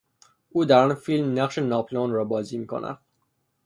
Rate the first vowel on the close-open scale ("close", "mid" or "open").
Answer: close